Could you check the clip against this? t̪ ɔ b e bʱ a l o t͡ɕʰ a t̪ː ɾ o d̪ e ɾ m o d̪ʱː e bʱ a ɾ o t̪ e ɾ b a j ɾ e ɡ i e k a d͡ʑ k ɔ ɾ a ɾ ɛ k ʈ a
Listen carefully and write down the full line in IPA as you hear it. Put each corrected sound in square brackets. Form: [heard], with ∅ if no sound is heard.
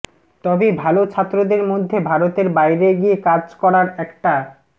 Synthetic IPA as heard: t̪ ɔ b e bʱ a l o t͡ɕʰ a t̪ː ɾ o d̪ e ɾ m o d̪ʱː e bʱ a ɾ o t̪ e ɾ b a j ɾ e ɡ i e k a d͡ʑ k ɔ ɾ a ɾ ɛ k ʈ a

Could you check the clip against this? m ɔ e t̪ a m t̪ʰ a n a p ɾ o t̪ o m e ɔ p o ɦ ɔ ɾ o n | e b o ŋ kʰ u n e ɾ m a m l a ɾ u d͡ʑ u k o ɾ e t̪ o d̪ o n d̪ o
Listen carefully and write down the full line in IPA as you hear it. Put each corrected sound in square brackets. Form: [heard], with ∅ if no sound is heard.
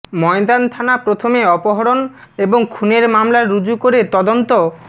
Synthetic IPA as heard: m ɔ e [d̪] a [n] t̪ʰ a n a p ɾ o [t̪ʰ] o m e ɔ p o ɦ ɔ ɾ o n | e b o ŋ kʰ u n e ɾ m a m l a ɾ u d͡ʑ u k o ɾ e t̪ [ɔ] d̪ o n [t̪] o

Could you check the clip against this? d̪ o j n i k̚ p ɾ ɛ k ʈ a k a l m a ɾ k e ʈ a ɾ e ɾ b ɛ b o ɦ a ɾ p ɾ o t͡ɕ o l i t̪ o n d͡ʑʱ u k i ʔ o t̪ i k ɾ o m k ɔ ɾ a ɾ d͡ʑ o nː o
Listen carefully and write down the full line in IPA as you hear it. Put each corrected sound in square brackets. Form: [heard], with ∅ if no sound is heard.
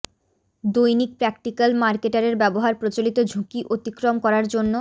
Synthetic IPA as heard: d̪ o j n i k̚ p ɾ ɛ k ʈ [i] k a l m a ɾ k e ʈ a ɾ e ɾ b ɛ b o ɦ a ɾ p ɾ o t͡ɕ o l i t̪ o [∅] d͡ʑʱ u k i ʔ o t̪ i k ɾ o m k ɔ ɾ a ɾ d͡ʑ o nː o

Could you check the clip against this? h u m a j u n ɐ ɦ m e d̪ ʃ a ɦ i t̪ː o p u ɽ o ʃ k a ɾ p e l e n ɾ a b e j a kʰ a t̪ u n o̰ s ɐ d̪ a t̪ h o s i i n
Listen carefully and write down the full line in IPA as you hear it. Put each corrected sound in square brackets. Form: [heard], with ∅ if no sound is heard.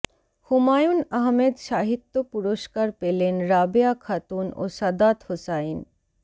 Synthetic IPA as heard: h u m a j u n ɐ ɦ m e d̪ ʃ a ɦ i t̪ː o p u [ɾ] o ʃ k a ɾ p e l e n ɾ a b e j a kʰ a t̪ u n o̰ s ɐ d̪ a t̪ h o s [a] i n

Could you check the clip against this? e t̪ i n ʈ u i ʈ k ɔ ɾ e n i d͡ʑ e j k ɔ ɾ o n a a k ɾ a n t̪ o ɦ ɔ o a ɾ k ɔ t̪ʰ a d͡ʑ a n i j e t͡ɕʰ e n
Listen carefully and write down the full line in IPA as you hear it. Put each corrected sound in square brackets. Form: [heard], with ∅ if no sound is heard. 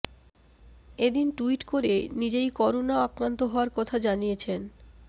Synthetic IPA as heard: e [d̪] i n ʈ u i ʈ k [o] ɾ e n i d͡ʑ e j k ɔ ɾ o n a a k ɾ a n t̪ o ɦ ɔ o a ɾ k ɔ t̪ʰ a d͡ʑ a n i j e t͡ɕʰ e n

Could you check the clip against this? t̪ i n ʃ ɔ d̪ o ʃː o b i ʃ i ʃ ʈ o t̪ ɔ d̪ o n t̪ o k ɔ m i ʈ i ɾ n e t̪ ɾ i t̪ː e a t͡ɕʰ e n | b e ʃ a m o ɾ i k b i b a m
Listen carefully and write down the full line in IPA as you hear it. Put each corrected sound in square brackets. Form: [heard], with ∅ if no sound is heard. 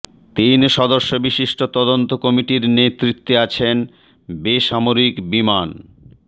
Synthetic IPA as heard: t̪ i n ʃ ɔ d̪ o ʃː o b i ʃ i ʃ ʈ o t̪ ɔ d̪ o n t̪ o k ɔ m i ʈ i ɾ n e t̪ ɾ i t̪ː e a t͡ɕʰ e n | b e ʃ a m o ɾ i k b i [m] a [n]

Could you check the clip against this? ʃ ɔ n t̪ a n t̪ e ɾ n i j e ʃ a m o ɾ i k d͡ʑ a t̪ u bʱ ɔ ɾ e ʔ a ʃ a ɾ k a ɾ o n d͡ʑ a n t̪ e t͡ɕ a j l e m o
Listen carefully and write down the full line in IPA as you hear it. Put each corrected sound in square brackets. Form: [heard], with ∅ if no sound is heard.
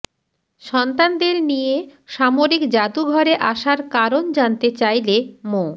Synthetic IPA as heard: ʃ ɔ n t̪ a n [d̪] e ɾ n i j e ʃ a m o ɾ i k d͡ʑ a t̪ u [ɡʱ] ɔ ɾ e ʔ a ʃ a ɾ k a ɾ o n d͡ʑ a n t̪ e t͡ɕ a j l e m o

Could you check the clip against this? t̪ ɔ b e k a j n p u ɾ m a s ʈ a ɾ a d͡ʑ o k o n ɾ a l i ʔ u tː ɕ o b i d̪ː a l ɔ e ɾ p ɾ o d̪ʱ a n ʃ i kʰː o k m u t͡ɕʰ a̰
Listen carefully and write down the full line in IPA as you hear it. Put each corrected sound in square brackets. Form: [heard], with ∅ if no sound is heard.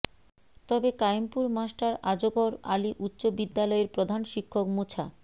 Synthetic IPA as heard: t̪ ɔ b e k a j [m] p u ɾ m a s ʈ a ɾ a d͡ʑ o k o [∅] ɾ a l i ʔ u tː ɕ o b i d̪ː a l ɔ e ɾ p ɾ o d̪ʱ a n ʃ i kʰː o k m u t͡ɕʰ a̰

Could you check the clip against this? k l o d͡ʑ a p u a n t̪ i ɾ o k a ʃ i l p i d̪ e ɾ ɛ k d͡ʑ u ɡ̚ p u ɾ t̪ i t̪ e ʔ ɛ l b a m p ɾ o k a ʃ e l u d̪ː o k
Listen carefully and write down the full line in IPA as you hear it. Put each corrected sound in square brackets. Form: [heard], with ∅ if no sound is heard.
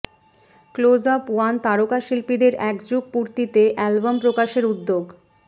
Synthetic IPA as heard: k l o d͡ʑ a p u a n t̪ [a] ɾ o k a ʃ i l p i d̪ e ɾ ɛ k d͡ʑ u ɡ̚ p u ɾ t̪ i t̪ e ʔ ɛ l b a m p ɾ o k a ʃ e [ɾ] u d̪ː o [ɡ]

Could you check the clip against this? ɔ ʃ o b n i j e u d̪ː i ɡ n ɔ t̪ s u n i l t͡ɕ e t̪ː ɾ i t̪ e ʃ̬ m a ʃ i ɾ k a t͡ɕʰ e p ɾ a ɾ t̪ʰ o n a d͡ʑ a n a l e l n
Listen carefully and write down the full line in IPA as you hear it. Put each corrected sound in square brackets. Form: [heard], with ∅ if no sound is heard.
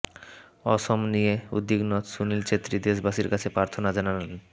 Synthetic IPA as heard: ɔ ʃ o [m] n i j e u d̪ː i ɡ n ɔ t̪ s u n i l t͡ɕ e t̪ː ɾ i [d̪] e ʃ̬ [b] a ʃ i ɾ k a t͡ɕʰ e p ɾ a ɾ t̪ʰ o n a d͡ʑ a n a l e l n

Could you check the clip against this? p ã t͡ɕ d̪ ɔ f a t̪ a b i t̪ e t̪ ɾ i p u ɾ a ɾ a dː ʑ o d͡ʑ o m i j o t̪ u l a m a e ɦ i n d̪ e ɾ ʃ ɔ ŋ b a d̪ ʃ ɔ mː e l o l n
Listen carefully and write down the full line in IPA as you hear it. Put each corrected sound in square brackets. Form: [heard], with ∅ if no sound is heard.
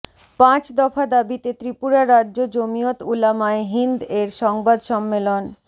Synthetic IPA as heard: p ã t͡ɕ d̪ ɔ f a [d̪] a b i t̪ e t̪ ɾ i p u ɾ a ɾ a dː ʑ o d͡ʑ o m i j o t̪ u l a m a e ɦ i n d̪ e ɾ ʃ ɔ ŋ b a d̪ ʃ ɔ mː e l o [∅] n

